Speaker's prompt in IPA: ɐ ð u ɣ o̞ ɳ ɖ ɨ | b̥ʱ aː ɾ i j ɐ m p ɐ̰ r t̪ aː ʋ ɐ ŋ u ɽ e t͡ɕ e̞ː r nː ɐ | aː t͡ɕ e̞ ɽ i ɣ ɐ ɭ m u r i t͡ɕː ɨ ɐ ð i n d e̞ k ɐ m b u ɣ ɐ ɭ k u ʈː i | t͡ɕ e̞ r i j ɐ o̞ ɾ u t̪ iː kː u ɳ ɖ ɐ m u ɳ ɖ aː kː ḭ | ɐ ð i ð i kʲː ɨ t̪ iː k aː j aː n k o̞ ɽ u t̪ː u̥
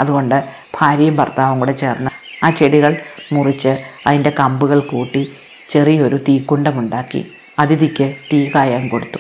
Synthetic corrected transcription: ɐ ð u ɣ o̞ ɳ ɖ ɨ | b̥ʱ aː ɾ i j ɐ m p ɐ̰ r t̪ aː ʋ ɐ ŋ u ɽ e t͡ɕ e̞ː r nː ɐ | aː t͡ɕ e̞ ɽ i ɣ ɐ ɭ m u r i t͡ɕː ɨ ɐ ð i n d e̞ k ɐ m b u ɣ ɐ ɭ k uː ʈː i | t͡ɕ e̞ r i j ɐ o̞ ɾ u t̪ iː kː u ɳ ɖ ɐ m u ɳ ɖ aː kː ḭ | ɐ ð i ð i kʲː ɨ t̪ iː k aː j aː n k o̞ ɽ u t̪ː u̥